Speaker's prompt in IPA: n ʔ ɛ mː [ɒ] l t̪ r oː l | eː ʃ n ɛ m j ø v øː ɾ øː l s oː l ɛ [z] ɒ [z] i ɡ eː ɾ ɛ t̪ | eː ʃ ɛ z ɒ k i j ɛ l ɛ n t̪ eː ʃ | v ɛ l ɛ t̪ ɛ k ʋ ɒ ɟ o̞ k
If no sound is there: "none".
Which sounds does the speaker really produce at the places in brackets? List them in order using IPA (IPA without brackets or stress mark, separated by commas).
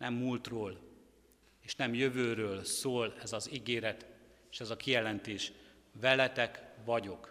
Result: u, z, z